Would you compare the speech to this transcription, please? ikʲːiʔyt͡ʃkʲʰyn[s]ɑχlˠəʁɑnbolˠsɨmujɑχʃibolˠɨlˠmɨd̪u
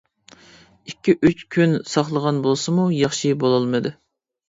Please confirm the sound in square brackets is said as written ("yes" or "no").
yes